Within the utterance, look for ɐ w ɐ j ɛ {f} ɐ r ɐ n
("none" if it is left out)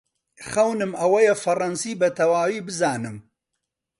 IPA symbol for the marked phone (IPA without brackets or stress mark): f